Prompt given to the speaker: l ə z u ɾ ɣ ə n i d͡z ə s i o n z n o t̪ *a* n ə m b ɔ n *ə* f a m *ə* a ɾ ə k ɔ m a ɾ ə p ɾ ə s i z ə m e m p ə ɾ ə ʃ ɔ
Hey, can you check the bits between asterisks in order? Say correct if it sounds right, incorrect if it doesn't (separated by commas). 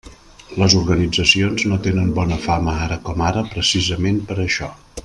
incorrect, correct, correct